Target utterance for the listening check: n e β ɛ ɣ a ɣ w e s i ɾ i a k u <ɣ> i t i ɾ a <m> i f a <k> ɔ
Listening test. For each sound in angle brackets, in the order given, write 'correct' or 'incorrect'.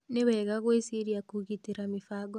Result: correct, correct, incorrect

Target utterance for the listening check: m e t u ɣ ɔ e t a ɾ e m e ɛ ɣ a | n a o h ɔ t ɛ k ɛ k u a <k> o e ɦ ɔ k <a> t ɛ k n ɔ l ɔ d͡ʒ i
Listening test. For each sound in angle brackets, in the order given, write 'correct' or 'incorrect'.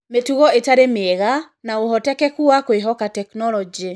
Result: correct, correct

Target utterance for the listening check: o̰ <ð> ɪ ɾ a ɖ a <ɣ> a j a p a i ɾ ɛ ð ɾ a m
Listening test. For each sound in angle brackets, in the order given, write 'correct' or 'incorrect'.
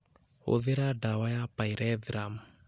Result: correct, incorrect

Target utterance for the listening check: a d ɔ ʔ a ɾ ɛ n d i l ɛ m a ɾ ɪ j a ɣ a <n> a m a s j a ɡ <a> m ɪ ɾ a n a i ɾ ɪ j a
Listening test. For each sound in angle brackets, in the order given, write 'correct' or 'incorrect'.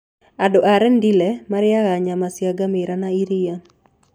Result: incorrect, correct

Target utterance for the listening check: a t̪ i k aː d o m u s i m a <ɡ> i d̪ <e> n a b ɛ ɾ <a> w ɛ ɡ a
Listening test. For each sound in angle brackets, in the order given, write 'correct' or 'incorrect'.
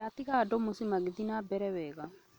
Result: correct, incorrect, incorrect

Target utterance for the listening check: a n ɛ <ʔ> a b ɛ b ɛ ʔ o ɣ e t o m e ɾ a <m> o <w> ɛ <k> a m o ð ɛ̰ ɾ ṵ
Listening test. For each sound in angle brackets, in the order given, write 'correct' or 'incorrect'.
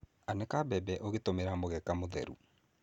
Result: incorrect, correct, incorrect, correct

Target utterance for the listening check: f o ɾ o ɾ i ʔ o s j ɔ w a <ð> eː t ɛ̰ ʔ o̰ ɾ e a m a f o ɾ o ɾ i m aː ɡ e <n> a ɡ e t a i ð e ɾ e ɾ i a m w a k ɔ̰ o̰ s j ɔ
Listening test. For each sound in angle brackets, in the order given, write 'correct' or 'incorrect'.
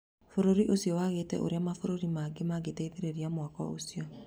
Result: incorrect, incorrect

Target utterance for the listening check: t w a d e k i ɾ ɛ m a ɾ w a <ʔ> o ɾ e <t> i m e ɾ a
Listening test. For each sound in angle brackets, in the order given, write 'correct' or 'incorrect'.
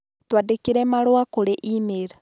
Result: incorrect, incorrect

